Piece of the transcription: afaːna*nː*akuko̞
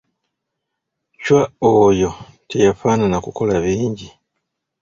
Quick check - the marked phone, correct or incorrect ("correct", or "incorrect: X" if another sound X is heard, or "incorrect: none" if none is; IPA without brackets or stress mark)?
incorrect: n